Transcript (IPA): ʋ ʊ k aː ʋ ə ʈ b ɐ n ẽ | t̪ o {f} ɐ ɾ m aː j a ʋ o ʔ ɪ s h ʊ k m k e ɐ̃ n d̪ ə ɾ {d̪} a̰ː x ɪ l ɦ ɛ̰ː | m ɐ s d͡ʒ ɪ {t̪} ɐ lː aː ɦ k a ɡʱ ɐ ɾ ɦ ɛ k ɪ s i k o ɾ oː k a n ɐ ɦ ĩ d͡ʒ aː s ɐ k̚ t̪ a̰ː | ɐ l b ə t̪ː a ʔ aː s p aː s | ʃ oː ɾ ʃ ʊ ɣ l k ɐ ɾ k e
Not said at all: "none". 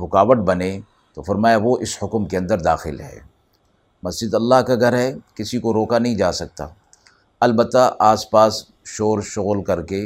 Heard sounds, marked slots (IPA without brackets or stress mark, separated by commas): f, d̪, d̪